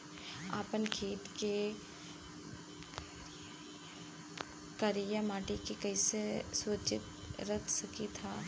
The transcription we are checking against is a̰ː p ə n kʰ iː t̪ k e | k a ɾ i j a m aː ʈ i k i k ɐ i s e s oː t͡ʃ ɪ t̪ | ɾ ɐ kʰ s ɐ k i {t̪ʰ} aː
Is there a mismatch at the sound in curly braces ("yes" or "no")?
no